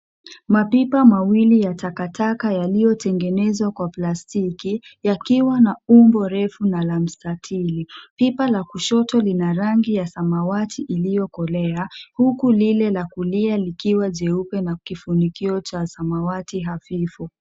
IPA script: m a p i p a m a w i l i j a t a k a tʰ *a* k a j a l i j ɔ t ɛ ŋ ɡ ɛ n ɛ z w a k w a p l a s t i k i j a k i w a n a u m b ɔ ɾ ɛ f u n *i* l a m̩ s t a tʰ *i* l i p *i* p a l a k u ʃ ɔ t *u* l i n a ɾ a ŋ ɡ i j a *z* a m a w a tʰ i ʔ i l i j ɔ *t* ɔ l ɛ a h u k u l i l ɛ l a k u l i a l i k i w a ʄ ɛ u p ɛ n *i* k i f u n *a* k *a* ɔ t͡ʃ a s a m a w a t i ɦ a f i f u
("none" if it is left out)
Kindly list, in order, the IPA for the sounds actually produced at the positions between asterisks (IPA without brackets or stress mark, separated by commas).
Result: a, a, i, i, ɔ, s, k, a, i, i